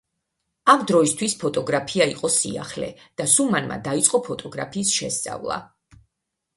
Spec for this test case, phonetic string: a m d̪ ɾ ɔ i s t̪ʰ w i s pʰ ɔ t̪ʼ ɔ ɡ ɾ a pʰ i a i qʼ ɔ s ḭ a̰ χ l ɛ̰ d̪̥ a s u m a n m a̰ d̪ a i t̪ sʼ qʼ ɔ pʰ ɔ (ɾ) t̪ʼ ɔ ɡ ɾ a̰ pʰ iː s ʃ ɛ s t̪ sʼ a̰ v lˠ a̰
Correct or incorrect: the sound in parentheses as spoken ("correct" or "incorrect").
incorrect